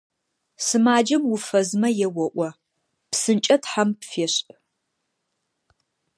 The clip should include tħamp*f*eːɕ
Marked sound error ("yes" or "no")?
no